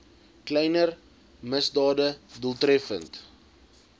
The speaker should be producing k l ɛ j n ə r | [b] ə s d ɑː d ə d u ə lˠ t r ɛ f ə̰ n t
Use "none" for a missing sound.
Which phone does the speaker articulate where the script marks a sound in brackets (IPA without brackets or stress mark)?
m